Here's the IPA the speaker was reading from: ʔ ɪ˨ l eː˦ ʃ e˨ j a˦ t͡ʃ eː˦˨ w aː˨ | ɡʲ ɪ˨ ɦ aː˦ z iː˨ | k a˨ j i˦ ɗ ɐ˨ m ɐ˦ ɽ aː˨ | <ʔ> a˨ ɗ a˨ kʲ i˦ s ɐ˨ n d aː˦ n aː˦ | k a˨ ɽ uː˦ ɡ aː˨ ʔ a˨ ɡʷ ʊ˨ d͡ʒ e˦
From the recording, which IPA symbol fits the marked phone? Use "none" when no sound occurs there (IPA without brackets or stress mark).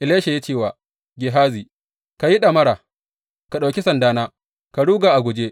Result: k